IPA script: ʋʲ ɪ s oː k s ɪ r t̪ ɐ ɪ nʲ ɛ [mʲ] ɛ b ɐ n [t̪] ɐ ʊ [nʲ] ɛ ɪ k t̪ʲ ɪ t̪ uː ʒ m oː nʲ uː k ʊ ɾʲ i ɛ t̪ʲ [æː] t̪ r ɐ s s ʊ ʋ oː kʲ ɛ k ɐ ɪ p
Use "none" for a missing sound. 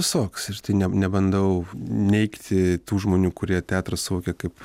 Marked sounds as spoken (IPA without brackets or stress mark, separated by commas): nʲ, d̪, nʲ, æː